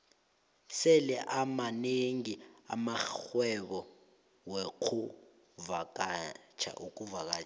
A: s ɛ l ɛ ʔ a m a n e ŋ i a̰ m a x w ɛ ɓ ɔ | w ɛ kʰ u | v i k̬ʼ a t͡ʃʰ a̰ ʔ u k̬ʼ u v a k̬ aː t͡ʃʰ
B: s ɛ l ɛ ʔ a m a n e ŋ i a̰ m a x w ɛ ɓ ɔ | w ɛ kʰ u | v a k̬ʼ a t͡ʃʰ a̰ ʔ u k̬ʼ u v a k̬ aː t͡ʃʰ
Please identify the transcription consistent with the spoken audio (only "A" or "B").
B